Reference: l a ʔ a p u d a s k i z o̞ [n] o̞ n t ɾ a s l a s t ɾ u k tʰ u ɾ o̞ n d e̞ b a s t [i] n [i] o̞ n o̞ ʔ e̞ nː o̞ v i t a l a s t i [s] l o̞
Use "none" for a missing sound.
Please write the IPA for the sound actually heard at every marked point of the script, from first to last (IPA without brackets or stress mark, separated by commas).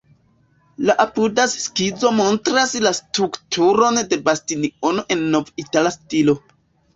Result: m, i, i, none